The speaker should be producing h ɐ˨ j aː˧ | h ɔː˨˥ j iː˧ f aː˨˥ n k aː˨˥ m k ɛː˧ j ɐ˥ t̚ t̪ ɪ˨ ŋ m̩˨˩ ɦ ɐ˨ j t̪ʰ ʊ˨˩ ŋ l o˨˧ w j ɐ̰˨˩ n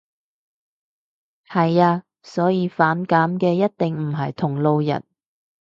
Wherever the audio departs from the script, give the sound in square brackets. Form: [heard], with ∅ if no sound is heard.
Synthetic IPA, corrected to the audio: h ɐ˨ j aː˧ | [s] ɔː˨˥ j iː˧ f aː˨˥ n k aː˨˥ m k ɛː˧ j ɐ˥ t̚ t̪ ɪ˨ ŋ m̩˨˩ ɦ ɐ˨ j t̪ʰ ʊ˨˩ ŋ l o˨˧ w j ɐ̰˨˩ n